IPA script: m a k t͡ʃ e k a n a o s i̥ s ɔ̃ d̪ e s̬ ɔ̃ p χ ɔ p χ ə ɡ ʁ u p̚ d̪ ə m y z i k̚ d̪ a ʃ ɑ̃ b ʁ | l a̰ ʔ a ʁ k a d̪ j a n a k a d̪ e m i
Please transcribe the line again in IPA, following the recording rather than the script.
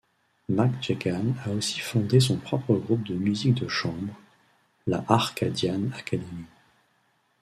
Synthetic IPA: m a k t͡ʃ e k a n a o s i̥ f ɔ̃ d̪ e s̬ ɔ̃ p χ ɔ p χ ə ɡ ʁ u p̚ d̪ ə m y z i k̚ d̪ ə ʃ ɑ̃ b ʁ | l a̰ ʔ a ʁ k a d̪ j a n a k a d̪ e m i